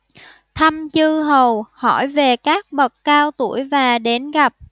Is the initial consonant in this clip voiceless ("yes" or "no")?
yes